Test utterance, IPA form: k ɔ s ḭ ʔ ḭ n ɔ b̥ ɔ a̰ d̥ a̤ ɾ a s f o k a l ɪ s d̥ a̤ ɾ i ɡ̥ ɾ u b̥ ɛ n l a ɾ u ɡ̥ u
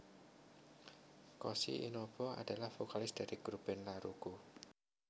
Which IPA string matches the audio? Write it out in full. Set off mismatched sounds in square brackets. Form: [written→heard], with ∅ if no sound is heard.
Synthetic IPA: k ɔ s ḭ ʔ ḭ n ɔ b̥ ɔ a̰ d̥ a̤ [ɾ→l] a [s→h] f o k a l ɪ s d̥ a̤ ɾ i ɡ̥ ɾ u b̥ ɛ n l a ɾ u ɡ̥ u